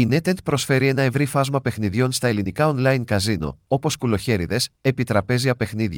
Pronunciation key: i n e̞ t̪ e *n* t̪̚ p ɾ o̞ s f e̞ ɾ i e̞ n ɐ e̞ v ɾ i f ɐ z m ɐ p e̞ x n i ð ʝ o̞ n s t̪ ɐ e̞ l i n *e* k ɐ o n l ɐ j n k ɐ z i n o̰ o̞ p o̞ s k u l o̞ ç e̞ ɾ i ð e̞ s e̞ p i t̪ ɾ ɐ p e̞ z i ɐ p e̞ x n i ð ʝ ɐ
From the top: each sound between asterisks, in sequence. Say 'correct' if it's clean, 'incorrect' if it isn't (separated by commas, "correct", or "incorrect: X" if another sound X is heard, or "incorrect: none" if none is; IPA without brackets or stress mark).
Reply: correct, incorrect: i